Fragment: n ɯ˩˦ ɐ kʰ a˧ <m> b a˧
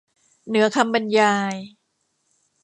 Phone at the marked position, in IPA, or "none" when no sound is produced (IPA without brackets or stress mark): m